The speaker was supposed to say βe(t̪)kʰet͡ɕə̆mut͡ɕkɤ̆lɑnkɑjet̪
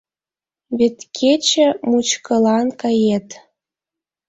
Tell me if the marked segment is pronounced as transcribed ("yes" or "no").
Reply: yes